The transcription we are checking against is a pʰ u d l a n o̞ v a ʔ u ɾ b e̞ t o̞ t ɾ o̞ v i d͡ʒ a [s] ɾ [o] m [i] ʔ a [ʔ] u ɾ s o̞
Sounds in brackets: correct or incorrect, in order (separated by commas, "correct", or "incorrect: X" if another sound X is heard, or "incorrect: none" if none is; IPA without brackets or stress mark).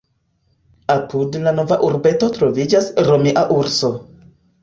correct, correct, correct, correct